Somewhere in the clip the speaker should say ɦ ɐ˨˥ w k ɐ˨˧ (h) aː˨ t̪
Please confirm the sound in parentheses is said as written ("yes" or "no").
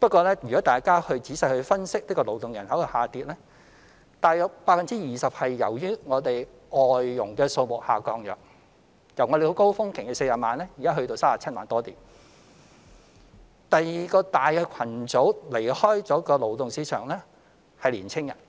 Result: yes